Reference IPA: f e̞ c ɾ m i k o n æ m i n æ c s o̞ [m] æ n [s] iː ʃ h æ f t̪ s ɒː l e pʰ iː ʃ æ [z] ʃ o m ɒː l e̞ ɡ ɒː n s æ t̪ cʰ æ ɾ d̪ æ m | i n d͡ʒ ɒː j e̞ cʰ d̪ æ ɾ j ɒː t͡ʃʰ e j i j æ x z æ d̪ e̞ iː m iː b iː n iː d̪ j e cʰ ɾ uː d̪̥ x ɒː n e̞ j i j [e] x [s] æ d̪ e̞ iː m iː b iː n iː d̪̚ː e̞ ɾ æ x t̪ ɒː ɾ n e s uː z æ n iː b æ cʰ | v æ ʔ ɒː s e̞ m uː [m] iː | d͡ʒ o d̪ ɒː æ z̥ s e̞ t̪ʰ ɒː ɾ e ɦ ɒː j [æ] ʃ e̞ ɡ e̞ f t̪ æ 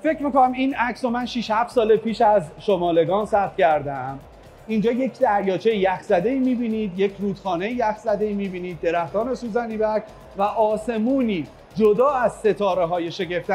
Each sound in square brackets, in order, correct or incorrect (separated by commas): correct, incorrect, correct, incorrect, incorrect, incorrect, incorrect